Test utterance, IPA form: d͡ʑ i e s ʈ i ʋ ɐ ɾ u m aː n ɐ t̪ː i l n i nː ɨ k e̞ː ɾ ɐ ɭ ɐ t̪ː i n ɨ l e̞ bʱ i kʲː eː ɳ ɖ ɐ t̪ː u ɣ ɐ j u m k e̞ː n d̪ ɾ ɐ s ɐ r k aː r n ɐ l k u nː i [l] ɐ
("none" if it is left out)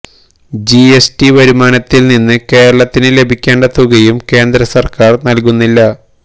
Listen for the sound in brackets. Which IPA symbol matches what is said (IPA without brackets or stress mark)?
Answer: lː